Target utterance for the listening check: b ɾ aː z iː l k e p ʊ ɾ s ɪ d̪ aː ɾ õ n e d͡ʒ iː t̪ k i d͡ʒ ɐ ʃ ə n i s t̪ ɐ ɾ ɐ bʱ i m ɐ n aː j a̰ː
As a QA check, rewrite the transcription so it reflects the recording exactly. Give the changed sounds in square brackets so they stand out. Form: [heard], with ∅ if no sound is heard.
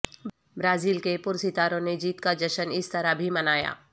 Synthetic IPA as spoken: b ɾ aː z iː l k e p ʊ ɾ s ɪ [t̪] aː ɾ õ n e d͡ʒ iː t̪ k [a] d͡ʒ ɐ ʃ ə n [ɪ] s t̪ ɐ ɾ [a] bʱ i m ɐ n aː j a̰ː

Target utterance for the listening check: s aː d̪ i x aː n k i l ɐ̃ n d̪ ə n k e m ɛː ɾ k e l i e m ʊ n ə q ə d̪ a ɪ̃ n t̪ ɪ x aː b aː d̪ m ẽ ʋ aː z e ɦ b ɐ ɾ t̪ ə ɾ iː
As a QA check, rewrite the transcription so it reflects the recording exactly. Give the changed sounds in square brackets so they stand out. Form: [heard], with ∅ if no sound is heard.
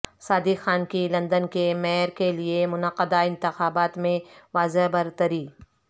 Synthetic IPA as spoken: s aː d̪ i x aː n k i l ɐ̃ n d̪ ə n k e m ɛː ɾ k e l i e m ʊ n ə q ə d̪ a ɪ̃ n t̪ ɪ x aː b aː [t̪] m ẽ ʋ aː z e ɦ b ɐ ɾ t̪ ə ɾ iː

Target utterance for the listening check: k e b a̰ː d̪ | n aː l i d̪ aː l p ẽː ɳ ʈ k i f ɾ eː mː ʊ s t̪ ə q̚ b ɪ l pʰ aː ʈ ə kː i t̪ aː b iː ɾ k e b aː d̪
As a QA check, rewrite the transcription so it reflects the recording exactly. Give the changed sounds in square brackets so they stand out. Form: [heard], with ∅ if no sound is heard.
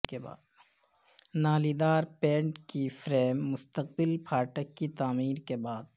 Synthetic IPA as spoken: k e b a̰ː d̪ | n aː l i d̪ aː [ɾ] p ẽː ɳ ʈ k i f ɾ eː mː ʊ s t̪ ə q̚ b ɪ l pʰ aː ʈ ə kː i t̪ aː [m] iː ɾ k e b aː d̪

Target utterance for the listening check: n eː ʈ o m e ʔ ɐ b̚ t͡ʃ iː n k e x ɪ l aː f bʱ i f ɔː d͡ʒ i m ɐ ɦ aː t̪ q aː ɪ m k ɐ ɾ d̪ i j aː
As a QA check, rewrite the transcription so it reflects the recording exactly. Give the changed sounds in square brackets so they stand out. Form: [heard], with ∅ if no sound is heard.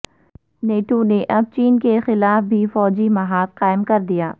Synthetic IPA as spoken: n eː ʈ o [n] e ʔ ɐ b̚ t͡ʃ iː n k e x ɪ l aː f bʱ i f ɔː d͡ʒ i m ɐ ɦ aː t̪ q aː ɪ m k ɐ ɾ d̪ i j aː

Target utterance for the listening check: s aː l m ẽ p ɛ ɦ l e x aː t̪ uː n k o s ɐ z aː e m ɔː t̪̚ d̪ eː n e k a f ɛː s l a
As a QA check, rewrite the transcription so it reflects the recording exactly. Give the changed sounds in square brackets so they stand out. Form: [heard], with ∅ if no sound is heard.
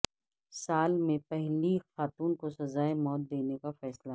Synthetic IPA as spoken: s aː l m ẽ p ɛ ɦ l [i] x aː t̪ uː n k o s ɐ z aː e m ɔː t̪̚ d̪ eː n e k a f ɛː s l a

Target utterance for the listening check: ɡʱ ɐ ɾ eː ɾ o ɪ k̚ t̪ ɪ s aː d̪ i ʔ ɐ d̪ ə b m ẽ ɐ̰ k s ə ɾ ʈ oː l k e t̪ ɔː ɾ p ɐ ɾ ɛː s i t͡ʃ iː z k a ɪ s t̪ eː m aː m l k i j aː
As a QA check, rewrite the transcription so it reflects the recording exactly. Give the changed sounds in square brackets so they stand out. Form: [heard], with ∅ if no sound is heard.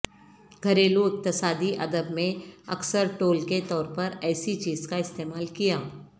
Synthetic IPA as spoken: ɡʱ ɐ ɾ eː [l] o ɪ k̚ t̪ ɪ s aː d̪ i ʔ ɐ d̪ ə b m ẽ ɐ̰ k s ə ɾ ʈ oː l k e t̪ ɔː ɾ p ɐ ɾ ɛː s i t͡ʃ iː z k a ɪ s t̪ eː m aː [∅] l k i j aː

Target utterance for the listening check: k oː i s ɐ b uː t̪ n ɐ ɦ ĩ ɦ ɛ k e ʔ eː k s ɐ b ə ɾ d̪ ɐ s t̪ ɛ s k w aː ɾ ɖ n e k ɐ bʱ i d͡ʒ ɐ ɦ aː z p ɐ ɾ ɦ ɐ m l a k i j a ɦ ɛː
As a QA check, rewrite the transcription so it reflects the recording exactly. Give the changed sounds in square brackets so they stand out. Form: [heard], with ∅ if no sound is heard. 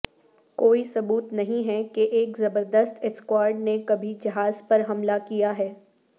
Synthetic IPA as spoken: k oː i s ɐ b uː t̪ n ɐ ɦ ĩ ɦ ɛ k e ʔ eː k [z] ɐ b ə ɾ d̪ [ə] s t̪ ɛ s k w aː ɾ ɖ n e k ɐ bʱ i d͡ʒ ɐ ɦ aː z p ɐ ɾ ɦ ɐ m l a k i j a ɦ ɛː

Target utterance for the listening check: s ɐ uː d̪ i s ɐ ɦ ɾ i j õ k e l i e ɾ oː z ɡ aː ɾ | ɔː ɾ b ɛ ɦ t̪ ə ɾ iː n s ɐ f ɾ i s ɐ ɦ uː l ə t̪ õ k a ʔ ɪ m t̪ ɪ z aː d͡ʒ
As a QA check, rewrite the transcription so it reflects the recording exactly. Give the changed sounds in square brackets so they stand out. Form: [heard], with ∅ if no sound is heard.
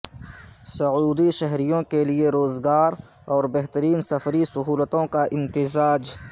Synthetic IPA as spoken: s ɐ uː d̪ i [ʃ] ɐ ɦ ɾ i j õ k e l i e ɾ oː z ɡ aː ɾ | ɔː ɾ b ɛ ɦ t̪ ə ɾ iː n s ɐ f ɾ i s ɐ ɦ uː l ə t̪ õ k a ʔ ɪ m t̪ ɪ z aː d͡ʒ

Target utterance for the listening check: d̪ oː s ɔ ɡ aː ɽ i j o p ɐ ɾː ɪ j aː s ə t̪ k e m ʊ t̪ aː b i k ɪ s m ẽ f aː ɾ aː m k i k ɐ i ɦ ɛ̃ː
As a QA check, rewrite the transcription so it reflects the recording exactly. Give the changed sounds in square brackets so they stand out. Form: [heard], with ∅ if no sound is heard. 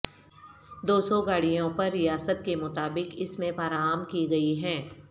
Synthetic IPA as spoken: d̪ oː s ɔ ɡ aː ɽ i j [õ] p ɐ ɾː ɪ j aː s ə t̪ k e m ʊ t̪ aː b [ɪ] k ɪ s m ẽ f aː ɾ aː m k i [ɡ] ɐ i ɦ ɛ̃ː

